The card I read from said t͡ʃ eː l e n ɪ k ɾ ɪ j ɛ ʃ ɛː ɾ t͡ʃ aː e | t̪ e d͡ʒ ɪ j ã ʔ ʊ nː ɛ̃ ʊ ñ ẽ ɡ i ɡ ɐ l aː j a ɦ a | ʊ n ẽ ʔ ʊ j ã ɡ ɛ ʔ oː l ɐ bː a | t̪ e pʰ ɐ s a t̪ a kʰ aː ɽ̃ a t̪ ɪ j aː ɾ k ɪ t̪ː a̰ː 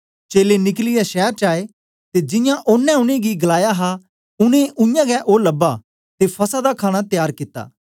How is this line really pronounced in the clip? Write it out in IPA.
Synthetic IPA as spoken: t͡ʃ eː l e n ɪ k l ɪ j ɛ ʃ ɛː ɾ t͡ʃ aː e | t̪ e d͡ʒ ɪ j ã ʔ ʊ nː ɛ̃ ʊ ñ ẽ ɡ i ɡ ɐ l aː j a ɦ a | ʊ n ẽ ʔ ʊ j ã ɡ ɛ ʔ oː l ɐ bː a | t̪ e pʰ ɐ s a d̪ a kʰ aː ɽ̃ a t̪ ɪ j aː ɾ k ɪ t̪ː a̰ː